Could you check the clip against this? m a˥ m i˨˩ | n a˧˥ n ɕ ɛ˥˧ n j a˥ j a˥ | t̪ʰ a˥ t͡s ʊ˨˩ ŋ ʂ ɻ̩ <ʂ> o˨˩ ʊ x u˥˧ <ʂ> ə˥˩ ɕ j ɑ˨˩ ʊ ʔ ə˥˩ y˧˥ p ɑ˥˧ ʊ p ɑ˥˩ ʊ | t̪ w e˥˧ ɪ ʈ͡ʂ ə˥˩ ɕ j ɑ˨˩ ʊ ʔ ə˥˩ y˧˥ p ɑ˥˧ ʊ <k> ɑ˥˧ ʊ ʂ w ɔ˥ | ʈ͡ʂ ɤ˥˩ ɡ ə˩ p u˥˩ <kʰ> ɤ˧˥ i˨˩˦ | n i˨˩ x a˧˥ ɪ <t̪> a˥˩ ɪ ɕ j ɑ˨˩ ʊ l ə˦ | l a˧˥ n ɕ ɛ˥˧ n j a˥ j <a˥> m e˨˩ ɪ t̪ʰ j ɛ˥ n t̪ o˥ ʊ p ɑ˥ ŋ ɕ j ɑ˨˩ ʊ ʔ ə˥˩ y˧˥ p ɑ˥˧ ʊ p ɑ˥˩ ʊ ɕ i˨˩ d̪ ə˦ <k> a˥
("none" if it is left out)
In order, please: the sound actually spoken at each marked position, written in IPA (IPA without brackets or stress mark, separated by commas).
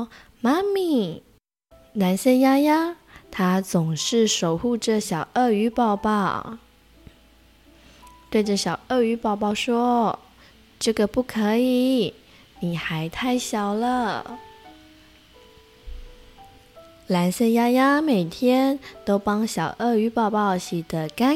ʂ, ʈ͡ʂ, p, kʰ, t̪ʰ, a˥, k